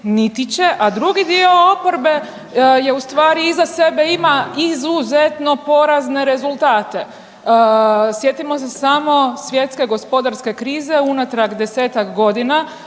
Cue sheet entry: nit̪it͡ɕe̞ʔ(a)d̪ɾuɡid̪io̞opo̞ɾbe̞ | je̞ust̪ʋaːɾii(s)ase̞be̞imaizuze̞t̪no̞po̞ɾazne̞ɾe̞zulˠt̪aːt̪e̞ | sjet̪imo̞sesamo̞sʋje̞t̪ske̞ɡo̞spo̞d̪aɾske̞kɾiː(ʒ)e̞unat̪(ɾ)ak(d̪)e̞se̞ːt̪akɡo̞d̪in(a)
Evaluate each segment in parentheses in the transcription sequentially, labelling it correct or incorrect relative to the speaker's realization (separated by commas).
correct, incorrect, incorrect, correct, correct, correct